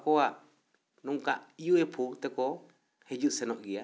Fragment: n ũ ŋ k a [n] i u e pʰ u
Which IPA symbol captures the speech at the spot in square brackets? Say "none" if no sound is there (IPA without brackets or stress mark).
none